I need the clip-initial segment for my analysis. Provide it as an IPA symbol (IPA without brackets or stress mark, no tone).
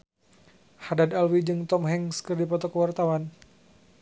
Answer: h